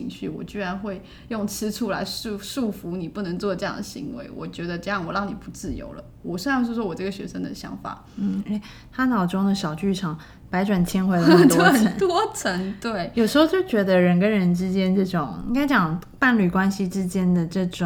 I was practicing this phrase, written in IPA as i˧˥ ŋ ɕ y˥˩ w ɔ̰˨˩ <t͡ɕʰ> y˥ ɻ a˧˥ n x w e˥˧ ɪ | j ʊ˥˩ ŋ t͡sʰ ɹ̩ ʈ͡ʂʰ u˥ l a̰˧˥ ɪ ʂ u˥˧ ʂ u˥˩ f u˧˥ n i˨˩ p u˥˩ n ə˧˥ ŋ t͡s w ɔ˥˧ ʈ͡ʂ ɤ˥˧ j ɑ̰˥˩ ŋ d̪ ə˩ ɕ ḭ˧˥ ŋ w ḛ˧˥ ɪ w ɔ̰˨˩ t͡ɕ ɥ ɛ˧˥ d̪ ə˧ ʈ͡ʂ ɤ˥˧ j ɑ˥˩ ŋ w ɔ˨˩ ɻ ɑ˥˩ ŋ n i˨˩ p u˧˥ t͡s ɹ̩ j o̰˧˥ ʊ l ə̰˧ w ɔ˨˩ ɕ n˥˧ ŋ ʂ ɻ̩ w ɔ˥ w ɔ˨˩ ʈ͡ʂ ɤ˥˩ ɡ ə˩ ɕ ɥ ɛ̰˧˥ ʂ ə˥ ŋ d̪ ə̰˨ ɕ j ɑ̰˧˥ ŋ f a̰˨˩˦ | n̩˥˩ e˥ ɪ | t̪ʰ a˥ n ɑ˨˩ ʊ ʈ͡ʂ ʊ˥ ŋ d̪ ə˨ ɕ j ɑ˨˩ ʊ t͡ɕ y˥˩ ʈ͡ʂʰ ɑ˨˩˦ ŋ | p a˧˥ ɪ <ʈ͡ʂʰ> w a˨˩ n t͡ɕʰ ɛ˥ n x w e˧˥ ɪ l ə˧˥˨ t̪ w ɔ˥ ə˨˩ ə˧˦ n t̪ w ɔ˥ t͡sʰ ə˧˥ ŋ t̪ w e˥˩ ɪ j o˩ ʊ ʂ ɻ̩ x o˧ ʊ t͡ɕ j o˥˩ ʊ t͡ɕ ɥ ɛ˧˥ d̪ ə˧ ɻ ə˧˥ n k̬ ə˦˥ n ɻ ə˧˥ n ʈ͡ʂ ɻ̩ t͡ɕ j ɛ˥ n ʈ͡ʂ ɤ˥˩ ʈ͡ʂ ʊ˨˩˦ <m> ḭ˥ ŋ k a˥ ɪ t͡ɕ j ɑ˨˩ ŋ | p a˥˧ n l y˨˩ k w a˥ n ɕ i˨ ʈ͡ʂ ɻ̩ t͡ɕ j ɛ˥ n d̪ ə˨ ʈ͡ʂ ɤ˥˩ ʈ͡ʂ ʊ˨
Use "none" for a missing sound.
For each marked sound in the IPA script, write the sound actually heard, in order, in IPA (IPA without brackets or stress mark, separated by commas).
t͡ɕ, ʈ͡ʂ, ŋ